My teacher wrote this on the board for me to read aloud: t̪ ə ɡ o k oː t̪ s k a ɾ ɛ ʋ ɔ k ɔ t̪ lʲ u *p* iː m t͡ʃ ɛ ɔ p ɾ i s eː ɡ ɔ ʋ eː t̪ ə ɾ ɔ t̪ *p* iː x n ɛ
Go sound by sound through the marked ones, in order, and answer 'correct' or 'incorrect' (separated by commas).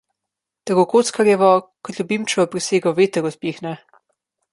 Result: incorrect, correct